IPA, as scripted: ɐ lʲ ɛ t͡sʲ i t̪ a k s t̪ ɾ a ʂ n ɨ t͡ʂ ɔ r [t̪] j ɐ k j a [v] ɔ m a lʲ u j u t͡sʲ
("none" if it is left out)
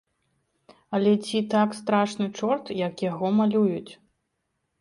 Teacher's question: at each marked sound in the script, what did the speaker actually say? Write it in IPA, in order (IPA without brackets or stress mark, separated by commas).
t̪, ɣ